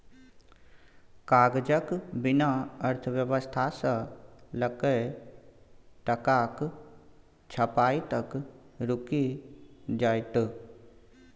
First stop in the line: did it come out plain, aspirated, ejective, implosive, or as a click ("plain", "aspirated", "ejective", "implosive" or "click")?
plain